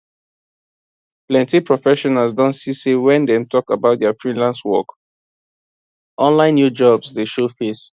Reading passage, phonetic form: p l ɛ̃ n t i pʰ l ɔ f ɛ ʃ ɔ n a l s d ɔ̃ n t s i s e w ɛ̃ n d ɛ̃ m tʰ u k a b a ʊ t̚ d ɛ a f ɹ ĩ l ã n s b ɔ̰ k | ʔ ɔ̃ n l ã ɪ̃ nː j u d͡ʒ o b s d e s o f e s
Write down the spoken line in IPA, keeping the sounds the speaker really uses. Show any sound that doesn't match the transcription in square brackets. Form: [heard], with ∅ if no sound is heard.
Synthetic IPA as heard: p l ɛ̃ n t i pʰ [ɹ] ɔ f ɛ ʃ ɔ n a l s d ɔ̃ n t s i s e w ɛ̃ n d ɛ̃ m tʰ [ɔ] k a b a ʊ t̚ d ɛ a f ɹ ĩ l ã n s [w] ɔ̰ k | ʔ ɔ̃ n l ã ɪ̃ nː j u d͡ʒ [ɔ] b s d e [ʃ] o f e s